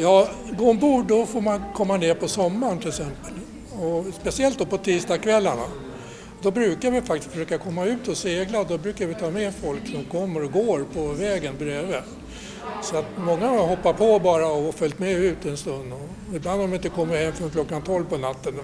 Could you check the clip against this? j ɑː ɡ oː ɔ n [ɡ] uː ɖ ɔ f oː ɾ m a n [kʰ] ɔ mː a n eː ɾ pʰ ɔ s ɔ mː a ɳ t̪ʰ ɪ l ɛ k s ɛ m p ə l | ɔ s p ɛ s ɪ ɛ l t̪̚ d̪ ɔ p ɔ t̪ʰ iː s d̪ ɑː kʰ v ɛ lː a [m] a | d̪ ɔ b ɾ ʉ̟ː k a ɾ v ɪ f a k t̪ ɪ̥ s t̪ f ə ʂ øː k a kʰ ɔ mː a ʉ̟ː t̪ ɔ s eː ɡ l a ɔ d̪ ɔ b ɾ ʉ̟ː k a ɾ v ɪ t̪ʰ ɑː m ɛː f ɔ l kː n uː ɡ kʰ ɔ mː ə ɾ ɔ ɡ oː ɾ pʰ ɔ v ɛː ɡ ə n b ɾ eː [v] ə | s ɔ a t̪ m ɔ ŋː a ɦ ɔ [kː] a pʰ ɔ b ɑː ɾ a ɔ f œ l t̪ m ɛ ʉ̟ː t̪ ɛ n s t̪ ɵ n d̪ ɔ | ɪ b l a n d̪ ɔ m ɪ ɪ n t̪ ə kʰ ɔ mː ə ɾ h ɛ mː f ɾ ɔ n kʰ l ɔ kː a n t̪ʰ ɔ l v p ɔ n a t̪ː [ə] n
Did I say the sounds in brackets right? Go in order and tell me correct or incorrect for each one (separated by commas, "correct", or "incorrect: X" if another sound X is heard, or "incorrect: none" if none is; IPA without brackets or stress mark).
incorrect: b, correct, incorrect: ɳ, correct, incorrect: pː, correct